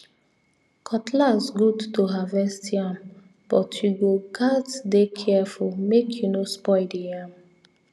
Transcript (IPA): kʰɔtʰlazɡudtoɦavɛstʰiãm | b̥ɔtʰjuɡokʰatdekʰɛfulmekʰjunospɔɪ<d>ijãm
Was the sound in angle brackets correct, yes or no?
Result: yes